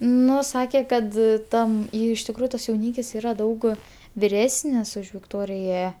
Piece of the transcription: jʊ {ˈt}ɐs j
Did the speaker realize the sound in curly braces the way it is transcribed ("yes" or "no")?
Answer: yes